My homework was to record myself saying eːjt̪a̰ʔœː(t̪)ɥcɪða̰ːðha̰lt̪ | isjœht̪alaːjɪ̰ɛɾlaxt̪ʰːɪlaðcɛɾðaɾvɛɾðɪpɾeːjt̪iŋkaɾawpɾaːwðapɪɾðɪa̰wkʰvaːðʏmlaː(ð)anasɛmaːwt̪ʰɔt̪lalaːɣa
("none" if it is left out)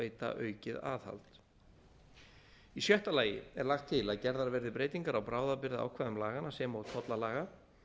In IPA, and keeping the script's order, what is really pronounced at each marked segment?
none, ɣ

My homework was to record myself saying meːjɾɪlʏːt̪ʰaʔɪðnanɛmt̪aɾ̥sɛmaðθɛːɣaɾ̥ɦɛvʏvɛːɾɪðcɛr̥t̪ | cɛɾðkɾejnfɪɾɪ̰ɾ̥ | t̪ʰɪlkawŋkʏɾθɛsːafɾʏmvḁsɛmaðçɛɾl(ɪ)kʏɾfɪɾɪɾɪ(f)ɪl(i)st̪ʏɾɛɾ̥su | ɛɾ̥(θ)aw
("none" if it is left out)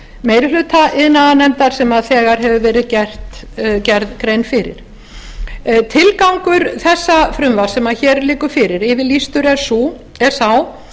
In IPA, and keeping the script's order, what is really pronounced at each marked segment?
ɪː, v, i, s

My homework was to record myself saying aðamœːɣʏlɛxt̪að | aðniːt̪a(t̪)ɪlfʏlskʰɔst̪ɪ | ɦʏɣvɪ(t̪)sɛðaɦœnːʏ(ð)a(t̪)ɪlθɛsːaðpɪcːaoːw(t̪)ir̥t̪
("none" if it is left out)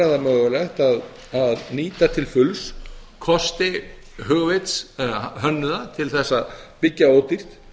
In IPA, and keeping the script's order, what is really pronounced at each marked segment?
t̪ʰ, t̪, ð, t̪ʰ, t̪

